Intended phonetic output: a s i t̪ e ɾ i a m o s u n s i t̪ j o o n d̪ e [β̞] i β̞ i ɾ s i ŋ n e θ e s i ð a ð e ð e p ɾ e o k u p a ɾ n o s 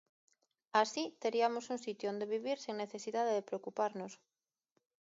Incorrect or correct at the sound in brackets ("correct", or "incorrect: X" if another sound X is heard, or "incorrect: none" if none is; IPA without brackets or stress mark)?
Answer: correct